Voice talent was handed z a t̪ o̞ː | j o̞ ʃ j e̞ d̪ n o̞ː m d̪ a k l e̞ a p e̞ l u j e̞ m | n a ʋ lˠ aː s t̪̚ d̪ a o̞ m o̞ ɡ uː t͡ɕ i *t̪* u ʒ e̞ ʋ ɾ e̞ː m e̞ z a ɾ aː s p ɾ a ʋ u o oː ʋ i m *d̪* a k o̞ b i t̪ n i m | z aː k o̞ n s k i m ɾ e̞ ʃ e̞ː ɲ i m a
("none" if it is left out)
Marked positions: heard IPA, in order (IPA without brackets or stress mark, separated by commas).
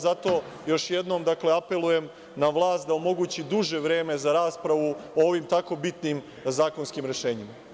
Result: d̪, t̪